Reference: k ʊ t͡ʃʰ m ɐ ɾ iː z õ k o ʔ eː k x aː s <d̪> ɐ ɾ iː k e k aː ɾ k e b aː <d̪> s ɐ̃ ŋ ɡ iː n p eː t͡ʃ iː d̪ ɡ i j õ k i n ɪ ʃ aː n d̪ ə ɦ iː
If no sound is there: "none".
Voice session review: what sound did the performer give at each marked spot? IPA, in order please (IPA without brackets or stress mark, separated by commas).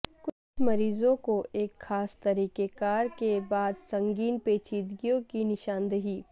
t̪, d̪